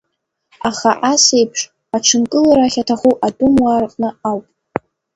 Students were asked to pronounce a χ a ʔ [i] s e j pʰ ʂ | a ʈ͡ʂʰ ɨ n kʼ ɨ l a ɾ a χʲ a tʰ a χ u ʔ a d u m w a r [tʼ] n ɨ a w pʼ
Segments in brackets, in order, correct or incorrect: incorrect, incorrect

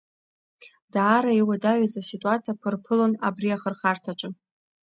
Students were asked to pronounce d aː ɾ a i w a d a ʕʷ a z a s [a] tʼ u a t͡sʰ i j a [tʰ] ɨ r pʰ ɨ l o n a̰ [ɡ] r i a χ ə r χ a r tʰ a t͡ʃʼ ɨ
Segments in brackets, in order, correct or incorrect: incorrect, incorrect, incorrect

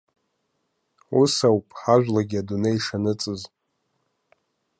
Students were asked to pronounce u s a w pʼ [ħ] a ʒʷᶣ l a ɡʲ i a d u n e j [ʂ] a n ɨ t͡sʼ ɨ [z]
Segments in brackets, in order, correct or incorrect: correct, correct, correct

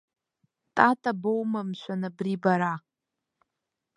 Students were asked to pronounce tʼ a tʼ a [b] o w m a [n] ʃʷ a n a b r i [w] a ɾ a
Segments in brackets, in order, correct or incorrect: correct, incorrect, incorrect

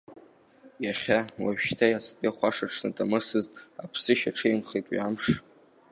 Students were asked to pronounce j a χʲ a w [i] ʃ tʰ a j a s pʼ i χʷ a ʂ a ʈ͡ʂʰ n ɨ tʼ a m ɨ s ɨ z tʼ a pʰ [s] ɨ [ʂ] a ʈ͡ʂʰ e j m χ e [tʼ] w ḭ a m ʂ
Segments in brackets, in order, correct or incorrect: incorrect, correct, incorrect, correct

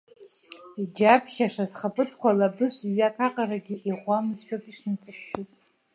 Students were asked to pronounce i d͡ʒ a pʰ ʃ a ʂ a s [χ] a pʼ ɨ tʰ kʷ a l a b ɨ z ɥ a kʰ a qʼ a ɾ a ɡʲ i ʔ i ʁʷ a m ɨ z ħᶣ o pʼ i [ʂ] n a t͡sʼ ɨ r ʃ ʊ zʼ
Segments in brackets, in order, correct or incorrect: correct, correct

